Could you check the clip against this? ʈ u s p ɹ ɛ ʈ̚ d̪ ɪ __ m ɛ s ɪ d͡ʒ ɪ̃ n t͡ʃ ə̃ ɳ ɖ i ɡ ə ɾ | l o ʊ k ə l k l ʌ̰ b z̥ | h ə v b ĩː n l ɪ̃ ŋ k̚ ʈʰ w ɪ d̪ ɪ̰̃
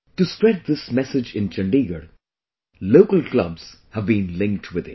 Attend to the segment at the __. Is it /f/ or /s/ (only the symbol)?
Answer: s